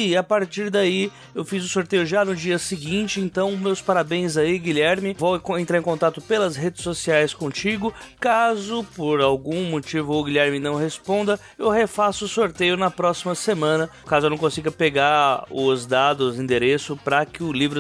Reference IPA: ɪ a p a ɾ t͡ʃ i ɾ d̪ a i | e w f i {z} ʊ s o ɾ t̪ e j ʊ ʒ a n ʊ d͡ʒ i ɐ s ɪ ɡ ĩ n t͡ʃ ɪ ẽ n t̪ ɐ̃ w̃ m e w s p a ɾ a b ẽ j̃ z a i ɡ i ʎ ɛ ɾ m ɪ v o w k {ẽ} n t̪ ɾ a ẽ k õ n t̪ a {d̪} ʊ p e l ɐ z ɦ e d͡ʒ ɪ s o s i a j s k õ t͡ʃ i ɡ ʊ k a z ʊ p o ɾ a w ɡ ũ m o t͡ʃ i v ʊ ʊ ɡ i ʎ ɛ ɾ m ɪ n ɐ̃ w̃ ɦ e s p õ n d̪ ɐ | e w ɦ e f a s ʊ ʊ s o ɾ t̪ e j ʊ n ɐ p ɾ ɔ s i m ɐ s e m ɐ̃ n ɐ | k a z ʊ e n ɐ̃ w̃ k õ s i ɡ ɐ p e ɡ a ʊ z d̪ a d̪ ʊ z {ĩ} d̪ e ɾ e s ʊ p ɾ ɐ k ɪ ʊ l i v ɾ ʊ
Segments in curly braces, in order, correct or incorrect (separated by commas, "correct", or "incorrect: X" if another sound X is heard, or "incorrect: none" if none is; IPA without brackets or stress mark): correct, correct, incorrect: t̪, correct